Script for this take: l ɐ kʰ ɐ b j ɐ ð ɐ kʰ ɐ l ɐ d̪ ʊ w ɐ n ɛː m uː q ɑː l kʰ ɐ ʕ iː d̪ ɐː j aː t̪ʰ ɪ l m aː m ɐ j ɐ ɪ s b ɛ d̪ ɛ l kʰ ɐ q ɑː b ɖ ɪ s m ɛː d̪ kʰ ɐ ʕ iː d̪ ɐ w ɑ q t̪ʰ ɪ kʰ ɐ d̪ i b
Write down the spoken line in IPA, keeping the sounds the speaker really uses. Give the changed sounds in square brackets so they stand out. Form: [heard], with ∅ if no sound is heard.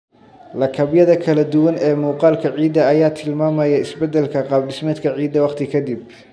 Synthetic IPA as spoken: l ɐ kʰ ɐ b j ɐ ð ɐ kʰ ɐ l ɐ d̪ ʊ w ɐ n ɛː m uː q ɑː l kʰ ɐ ʕ iː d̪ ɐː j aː t̪ʰ ɪ l m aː m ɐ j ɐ ɪ s b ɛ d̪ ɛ l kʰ ɐ q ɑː b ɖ ɪ s m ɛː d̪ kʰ ɐ ʕ iː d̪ ɐ w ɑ q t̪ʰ ɪ kʰ ɐ d̪ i b